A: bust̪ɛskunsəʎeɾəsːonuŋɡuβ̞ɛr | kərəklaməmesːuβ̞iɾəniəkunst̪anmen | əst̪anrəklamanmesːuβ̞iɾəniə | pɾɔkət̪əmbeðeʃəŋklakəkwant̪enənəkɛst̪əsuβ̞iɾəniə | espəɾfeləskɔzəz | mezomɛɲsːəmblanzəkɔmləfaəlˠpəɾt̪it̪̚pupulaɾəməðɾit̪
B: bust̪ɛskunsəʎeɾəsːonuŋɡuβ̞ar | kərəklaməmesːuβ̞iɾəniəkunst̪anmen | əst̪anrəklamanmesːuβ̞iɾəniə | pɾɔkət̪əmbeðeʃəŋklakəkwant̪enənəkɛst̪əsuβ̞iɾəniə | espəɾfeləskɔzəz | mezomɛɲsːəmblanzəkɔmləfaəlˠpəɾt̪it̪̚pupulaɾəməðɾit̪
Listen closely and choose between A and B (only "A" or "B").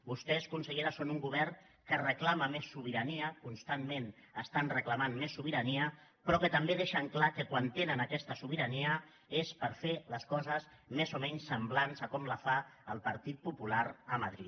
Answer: A